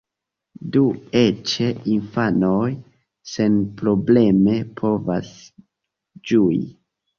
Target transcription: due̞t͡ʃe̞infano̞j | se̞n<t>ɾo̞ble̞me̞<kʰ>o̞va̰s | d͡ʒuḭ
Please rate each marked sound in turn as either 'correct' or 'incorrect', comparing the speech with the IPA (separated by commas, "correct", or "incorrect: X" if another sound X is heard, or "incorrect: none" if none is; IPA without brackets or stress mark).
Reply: incorrect: p, incorrect: pʰ